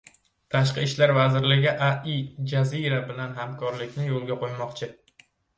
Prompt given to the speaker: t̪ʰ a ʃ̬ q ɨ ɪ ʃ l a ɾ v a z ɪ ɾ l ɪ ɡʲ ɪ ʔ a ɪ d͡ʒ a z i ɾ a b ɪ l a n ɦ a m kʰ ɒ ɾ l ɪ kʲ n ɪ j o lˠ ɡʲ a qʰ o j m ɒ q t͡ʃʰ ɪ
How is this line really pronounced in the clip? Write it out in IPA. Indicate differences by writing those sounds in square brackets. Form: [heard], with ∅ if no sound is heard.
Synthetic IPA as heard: t̪ʰ a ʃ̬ q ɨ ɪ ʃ l a ɾ v a z ɪ ɾ l ɪ ɡʲ ɪ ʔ a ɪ d͡ʒ a z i ɾ a b ɪ l a n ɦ a m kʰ ɒ ɾ l ɪ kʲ n ɪ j o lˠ ɡʲ a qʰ o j m ɒ q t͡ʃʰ ɪ

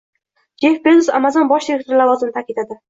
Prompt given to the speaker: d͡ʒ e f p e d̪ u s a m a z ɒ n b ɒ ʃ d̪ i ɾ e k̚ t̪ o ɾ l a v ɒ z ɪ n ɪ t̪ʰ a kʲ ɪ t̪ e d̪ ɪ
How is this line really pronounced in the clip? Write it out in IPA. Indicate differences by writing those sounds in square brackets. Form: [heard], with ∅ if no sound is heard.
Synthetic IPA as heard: d͡ʒ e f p e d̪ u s a m a z ɒ n b ɒ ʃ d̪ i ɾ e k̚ t̪ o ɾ l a v ɒ z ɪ n ɪ t̪ʰ a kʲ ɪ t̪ [a] d̪ ɪ

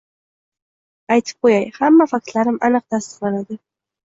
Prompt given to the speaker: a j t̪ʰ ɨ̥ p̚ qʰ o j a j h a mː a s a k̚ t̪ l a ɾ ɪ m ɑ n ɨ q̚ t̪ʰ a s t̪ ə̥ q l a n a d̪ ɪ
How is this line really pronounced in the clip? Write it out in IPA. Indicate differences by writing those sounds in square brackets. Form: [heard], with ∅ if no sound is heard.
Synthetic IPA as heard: a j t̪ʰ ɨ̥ p̚ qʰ o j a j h a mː a [f] a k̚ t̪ l a ɾ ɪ m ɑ n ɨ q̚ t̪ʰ a s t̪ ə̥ q l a n a d̪ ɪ

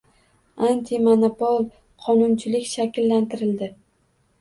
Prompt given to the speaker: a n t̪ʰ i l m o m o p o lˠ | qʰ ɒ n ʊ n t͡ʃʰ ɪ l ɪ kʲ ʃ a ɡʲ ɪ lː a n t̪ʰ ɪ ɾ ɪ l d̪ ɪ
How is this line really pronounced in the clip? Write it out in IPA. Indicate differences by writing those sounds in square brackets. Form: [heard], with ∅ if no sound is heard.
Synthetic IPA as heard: a n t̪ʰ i [∅] m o [n] o p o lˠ | qʰ ɒ n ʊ n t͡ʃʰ ɪ l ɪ kʲ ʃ a [kʲ] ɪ lː a n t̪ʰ ɪ ɾ ɪ l d̪ ɪ

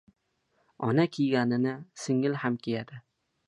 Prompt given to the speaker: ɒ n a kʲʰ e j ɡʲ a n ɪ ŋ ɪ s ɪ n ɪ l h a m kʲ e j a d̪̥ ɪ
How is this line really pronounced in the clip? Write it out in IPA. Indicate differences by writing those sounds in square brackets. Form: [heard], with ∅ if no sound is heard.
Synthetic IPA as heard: ɒ n a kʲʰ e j ɡʲ a n ɪ [n] ɪ s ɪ [ŋ] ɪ l h a m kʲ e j a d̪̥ ɪ

